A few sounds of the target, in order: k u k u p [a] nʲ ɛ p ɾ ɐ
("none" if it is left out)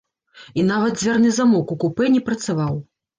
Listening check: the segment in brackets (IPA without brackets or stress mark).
ɛ